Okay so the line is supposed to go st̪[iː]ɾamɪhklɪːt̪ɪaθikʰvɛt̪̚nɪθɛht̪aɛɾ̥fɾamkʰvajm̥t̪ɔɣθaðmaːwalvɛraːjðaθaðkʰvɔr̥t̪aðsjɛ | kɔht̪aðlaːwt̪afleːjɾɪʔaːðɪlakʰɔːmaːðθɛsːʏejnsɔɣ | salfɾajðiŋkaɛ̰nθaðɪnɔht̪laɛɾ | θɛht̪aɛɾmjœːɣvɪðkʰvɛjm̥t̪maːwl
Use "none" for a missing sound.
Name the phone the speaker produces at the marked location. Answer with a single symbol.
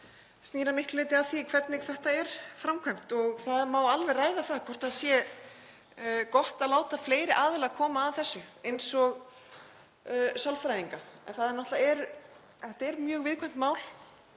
iː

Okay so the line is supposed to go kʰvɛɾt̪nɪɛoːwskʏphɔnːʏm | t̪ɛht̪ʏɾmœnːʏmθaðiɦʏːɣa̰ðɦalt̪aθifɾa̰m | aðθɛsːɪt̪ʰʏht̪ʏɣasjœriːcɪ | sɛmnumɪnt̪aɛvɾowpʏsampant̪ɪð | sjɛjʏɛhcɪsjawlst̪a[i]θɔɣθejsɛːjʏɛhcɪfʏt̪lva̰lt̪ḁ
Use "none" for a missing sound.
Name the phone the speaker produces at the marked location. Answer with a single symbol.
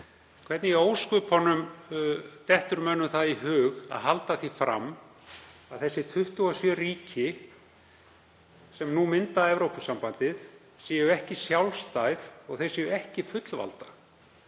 j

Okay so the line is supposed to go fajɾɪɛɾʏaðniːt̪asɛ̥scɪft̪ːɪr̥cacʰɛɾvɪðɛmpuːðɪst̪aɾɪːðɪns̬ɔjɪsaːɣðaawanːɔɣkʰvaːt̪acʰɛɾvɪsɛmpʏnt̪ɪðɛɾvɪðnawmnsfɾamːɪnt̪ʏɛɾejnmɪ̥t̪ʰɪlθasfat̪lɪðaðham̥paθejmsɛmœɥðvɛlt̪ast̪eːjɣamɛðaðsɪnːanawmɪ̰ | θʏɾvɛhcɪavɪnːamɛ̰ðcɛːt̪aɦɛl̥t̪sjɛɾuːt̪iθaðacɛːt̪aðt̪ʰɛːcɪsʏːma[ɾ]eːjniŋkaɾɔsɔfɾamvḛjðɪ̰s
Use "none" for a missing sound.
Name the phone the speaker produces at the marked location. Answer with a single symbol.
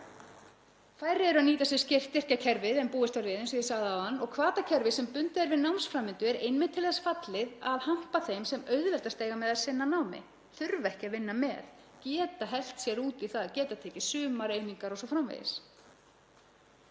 ɾ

